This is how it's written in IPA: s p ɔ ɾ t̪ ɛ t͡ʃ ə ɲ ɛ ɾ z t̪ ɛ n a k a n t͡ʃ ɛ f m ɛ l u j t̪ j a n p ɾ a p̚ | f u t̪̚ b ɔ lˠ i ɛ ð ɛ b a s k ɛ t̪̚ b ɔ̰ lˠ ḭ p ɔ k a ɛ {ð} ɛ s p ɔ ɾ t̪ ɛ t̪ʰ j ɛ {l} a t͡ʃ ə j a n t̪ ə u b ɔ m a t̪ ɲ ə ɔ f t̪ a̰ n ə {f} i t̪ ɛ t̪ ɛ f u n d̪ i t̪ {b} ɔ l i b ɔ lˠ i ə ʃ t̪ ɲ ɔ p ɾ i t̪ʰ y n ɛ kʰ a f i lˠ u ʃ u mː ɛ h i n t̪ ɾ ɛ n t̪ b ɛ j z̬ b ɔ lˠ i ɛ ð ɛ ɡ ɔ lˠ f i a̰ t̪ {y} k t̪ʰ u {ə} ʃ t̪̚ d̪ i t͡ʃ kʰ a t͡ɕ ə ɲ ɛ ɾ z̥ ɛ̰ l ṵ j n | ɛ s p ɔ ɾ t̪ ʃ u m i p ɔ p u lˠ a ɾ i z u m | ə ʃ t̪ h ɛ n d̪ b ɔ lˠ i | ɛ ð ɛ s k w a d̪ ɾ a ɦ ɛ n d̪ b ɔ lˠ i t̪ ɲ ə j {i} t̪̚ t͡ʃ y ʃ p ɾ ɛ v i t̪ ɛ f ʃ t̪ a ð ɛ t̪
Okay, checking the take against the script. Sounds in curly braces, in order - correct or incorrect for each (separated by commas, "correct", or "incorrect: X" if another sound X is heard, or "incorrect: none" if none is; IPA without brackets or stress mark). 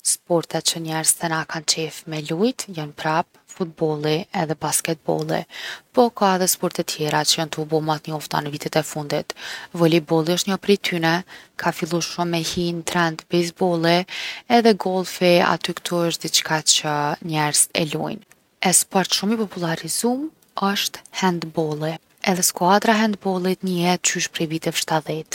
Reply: correct, incorrect: ɾ, incorrect: v, incorrect: v, correct, correct, incorrect: ɛ